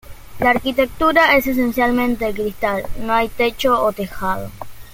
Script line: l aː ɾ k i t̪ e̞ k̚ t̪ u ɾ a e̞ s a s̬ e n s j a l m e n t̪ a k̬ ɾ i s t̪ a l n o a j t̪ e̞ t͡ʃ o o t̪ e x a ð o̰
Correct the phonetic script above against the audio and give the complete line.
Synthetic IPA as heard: l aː ɾ k i t̪ e̞ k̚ t̪ u ɾ a e̞ s e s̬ e n s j a l m ẽ n t̪ e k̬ ɾ i s t̪ a l n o a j t̪ e̞ t͡ʃ o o t̪ e x a ð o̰